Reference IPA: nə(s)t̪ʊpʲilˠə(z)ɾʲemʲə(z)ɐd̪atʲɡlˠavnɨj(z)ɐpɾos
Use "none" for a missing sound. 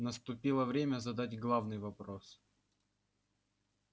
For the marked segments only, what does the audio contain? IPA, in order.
s, v, z, v

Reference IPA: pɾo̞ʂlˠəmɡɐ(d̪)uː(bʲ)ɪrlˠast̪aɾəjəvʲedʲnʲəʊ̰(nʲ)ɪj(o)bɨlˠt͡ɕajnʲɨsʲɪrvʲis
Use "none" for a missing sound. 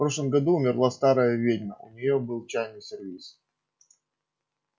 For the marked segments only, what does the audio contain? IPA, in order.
d̪, mʲ, nʲ, o

